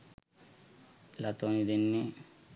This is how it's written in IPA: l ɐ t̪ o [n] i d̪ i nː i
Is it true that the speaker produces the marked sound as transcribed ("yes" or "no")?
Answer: yes